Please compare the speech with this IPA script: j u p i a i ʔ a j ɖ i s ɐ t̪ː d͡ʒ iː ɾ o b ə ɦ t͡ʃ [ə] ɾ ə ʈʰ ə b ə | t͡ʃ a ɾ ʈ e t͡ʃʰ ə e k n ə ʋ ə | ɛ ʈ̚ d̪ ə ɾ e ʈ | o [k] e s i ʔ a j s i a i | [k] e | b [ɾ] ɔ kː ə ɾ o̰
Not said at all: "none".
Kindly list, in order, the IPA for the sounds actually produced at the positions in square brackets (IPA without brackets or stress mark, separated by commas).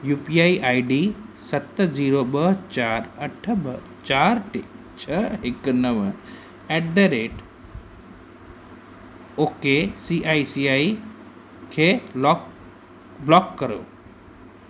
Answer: a, k, kʰ, l